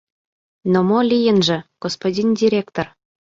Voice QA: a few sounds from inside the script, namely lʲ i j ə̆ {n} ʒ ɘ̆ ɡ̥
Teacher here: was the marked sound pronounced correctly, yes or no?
yes